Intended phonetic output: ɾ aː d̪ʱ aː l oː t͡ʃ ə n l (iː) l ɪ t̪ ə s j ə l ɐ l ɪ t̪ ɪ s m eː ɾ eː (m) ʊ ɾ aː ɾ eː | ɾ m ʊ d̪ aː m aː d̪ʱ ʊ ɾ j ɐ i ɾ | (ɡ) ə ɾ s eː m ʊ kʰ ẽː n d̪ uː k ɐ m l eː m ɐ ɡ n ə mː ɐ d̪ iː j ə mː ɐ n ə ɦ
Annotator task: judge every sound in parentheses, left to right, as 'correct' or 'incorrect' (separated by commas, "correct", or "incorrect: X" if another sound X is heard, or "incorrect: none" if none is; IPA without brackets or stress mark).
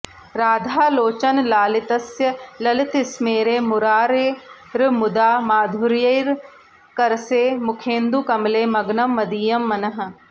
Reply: incorrect: aː, correct, incorrect: k